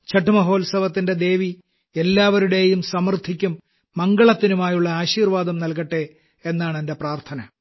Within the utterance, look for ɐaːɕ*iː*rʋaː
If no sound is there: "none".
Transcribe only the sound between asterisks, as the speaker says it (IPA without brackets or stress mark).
iː